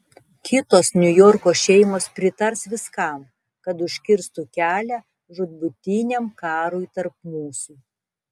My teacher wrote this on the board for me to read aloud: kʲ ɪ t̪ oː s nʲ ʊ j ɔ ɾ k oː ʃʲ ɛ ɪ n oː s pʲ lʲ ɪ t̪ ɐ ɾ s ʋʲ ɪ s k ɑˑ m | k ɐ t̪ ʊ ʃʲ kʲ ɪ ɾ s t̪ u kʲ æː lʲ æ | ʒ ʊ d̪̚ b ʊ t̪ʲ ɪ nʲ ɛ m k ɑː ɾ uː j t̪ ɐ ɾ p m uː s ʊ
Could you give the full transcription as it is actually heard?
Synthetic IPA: kʲ ɪ t̪ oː s nʲ ʊ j ɔ ɾ k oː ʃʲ ɛ ɪ m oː s pʲ ɾʲ ɪ t̪ ɐ ɾ s ʋʲ ɪ s k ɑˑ m | k ɐ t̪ ʊ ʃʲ kʲ ɪ ɾ s t̪ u kʲ æː lʲ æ | ʒ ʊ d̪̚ b ʊ t̪ʲ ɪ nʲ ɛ m k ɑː ɾ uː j t̪ ɐ ɾ p m uː s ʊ

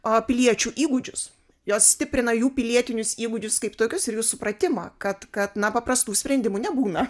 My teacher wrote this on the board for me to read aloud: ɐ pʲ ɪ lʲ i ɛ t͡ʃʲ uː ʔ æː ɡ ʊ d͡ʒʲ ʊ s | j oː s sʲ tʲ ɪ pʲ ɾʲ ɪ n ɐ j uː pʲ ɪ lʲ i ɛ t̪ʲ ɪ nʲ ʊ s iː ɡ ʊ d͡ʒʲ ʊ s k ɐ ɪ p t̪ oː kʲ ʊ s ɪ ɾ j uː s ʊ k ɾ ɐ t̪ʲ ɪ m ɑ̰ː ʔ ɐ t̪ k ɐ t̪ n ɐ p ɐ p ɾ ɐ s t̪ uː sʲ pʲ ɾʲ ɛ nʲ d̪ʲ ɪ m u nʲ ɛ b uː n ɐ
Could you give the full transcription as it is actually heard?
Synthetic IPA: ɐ pʲ ɪ lʲ i ɛ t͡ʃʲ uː ʔ iː ɡ ʊ d͡ʒʲ ʊ s | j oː s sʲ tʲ ɪ pʲ ɾʲ ɪ n ɐ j uː pʲ ɪ lʲ i ɛ t̪ʲ ɪ nʲ ʊ s iː ɡ ʊ d͡ʒʲ ʊ s k ɐ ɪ p t̪ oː kʲ ʊ s ɪ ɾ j uː s ʊ p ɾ ɐ t̪ʲ ɪ m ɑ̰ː k ɐ t̪ k ɐ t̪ n ɐ p ɐ p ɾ ɐ s t̪ uː sʲ pʲ ɾʲ ɛ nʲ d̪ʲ ɪ m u nʲ ɛ b uː n ɐ

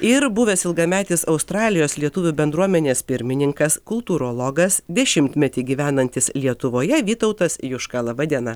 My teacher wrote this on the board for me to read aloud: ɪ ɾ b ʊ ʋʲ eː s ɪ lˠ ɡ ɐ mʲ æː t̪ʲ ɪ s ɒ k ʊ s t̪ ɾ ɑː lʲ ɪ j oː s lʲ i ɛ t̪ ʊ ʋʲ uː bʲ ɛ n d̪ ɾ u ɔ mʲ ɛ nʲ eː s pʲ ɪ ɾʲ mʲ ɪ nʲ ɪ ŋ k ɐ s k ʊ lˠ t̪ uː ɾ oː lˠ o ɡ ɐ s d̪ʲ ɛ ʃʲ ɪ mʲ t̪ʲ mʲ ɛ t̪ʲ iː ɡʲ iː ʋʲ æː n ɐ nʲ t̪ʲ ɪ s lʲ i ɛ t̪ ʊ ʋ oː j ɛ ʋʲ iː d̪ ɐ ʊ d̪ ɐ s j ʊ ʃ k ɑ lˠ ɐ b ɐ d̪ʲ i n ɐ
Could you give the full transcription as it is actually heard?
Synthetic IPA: ɪ ɾ b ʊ ʋʲ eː s ɪ lˠ ɡ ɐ mʲ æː t̪ʲ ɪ s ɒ ʊ s t̪ ɾ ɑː lʲ ɪ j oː s lʲ i ɛ t̪ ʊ ʋʲ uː bʲ ɛ n d̪ ɾ u ɔ mʲ ɛ nʲ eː s pʲ ɪ ɾʲ mʲ ɪ nʲ ɪ ŋ k ɐ s k ʊ lˠ t̪ uː ɾ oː lˠ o ɡ ɐ s d̪ʲ ɛ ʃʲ ɪ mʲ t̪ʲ mʲ ɛ t̪ʲ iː ɡʲ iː ʋʲ æː n ɐ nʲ t̪ʲ ɪ s lʲ i ɛ t̪ ʊ ʋ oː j ɛ ʋʲ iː t̪ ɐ ʊ t̪ ɐ s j ʊ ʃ k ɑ lˠ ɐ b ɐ d̪ʲ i n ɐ

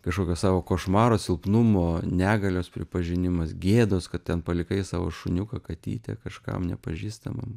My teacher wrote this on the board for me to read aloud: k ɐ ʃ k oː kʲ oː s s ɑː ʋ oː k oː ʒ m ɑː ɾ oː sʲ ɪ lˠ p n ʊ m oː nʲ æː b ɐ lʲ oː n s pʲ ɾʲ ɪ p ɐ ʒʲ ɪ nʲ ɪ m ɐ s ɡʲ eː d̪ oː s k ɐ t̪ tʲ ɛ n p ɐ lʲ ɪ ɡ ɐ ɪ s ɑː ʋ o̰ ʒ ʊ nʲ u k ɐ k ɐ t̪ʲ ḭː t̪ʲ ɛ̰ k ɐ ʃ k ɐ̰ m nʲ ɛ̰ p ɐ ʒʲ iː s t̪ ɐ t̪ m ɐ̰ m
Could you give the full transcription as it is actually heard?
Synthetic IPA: k ɐ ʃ k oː kʲ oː s s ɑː ʋ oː k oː ʃ m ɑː ɾ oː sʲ ɪ lˠ p n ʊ m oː nʲ æː ɡ ɐ lʲ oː s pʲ ɾʲ ɪ p ɐ ʒʲ ɪ nʲ ɪ m ɐ s ɡʲ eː d̪ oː s k ɐ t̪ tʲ ɛ n p ɐ lʲ ɪ k ɐ ɪ s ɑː ʋ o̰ ʃ ʊ nʲ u k ɐ k ɐ t̪ʲ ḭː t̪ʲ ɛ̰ k ɐ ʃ k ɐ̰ m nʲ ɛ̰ p ɐ ʒʲ iː s t̪ ɐ m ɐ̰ m

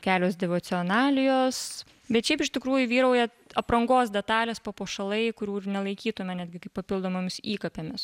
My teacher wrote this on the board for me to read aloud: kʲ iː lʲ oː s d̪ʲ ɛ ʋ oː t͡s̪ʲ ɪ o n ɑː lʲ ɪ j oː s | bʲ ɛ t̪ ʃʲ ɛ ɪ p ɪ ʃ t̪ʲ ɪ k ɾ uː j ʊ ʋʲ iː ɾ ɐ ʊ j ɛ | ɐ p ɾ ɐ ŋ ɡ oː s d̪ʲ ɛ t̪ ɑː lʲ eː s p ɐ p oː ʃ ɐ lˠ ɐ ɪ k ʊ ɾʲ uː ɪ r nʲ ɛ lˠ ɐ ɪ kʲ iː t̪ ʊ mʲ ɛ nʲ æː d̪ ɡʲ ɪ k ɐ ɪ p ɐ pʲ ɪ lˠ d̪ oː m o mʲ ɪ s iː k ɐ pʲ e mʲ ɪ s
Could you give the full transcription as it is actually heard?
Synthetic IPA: kʲ æː lʲ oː s d̪ʲ ɛ ʋ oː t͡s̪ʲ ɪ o n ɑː lʲ ɪ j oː s | bʲ ɛ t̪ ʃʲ ɛ ɪ p ɪ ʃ t̪ʲ ɪ k ɾ uː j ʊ ʋʲ iː ɾ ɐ ʊ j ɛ | ɐ p ɾ ɐ ŋ ɡ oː s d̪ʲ ɛ t̪ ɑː lʲ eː s p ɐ p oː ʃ ɐ lˠ ɐ ɪ k ʊ ɾʲ uː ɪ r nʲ ɛ lˠ ɐ ɪ kʲ iː t̪ ʊ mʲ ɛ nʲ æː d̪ ɡʲ ɪ k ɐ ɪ p ɐ pʲ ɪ lˠ d̪ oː m o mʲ ɪ s iː k ɐ pʲ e mʲ ɪ s

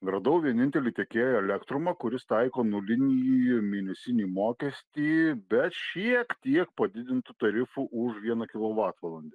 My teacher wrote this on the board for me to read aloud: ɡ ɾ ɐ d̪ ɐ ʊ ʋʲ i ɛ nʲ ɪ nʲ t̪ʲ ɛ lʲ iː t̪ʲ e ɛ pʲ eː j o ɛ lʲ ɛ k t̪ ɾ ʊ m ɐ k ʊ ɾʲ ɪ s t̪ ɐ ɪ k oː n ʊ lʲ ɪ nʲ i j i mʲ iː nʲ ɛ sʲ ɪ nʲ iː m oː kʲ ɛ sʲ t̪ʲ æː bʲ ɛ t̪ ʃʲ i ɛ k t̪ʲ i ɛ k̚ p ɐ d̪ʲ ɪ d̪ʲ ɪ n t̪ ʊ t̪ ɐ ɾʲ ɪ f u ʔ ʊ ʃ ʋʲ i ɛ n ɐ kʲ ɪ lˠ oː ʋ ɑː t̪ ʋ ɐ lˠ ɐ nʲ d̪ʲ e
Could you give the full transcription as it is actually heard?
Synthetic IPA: ɡ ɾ ɐ d̪ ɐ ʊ ʋʲ i ɛ nʲ ɪ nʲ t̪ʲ ɛ lʲ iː t̪ʲ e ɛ kʲ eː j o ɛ lʲ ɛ k t̪ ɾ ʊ m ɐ k ʊ ɾʲ ɪ s t̪ ɐ ɪ k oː n ʊ lʲ ɪ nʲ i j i mʲ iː nʲ ɛ sʲ ɪ nʲ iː m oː kʲ ɛ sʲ t̪ʲ iː bʲ ɛ t̪ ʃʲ i ɛ k t̪ʲ i ɛ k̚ p ɐ d̪ʲ ɪ d̪ʲ ɪ n t̪ ʊ t̪ ɐ ɾʲ ɪ f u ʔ ʊ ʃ ʋʲ i ɛ n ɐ kʲ ɪ lˠ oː ʋ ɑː t̪ ʋ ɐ lˠ ɐ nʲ d̪ʲ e

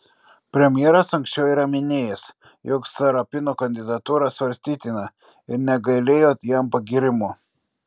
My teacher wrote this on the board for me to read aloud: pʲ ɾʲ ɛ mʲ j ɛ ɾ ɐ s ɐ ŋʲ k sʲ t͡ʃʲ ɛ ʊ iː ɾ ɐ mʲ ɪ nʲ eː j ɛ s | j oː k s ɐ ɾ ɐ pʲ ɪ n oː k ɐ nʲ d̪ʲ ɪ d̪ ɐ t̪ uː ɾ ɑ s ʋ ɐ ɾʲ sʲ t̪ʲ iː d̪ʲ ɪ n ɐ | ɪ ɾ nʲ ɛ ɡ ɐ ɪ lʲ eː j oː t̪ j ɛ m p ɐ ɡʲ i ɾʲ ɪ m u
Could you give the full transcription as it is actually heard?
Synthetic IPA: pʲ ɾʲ ɛ mʲ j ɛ ɾ ɐ s ɐ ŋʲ k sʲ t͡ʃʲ ɛ ʊ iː ɾ ɐ mʲ ɪ nʲ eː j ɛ s | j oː k s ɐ ɾ ɐ pʲ ɪ n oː k ɐ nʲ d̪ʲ ɪ d̪ ɐ t̪ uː ɾ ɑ s ʋ ɐ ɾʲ sʲ t̪ʲ iː t̪ʲ ɪ n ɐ | ɪ ɾ nʲ ɛ ɡ ɐ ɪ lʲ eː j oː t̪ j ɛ m p ɐ ɡʲ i ɾʲ ɪ m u

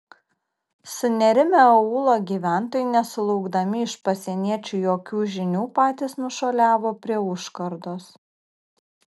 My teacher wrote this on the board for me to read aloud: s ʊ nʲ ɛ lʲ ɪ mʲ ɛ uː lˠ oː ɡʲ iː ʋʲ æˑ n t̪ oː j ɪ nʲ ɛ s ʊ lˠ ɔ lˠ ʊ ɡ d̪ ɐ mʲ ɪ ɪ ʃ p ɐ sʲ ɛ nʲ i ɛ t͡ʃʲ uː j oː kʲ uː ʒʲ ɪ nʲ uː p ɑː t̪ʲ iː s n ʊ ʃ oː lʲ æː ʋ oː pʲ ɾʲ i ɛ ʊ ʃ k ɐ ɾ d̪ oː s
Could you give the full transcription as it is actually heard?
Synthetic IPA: s ʊ nʲ ɛ ɾʲ ɪ mʲ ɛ uː lˠ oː ɡʲ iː ʋʲ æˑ n t̪ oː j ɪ nʲ ɛ s ʊ lˠ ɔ ʊ ɡ d̪ ɐ mʲ ɪ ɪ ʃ p ɐ sʲ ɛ nʲ i ɛ t͡ʃʲ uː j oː kʲ uː ʒʲ ɪ nʲ uː p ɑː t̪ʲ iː s n ʊ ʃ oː lʲ æː ʋ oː pʲ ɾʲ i ɛ ʊ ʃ k ɐ ɾ d̪ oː s

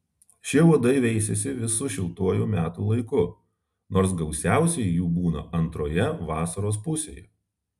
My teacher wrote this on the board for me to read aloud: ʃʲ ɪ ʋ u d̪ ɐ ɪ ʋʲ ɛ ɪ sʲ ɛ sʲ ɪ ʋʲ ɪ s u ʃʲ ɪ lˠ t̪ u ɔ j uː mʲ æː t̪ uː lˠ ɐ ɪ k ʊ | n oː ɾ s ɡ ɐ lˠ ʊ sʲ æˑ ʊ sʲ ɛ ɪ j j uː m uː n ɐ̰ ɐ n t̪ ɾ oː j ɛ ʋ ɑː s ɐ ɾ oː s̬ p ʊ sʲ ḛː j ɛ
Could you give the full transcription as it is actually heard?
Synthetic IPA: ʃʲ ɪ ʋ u d̪ ɐ ɪ ʋʲ ɛ ɪ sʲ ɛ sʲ ɪ ʋʲ ɪ s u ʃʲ ɪ lˠ t̪ u ɔ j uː mʲ æː t̪ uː lˠ ɐ ɪ k ʊ | n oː ɾ s ɡ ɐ ʊ sʲ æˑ ʊ sʲ ɛ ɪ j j uː b uː n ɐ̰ ɐ n t̪ ɾ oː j ɛ ʋ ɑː s ɐ ɾ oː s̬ p ʊ sʲ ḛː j ɛ

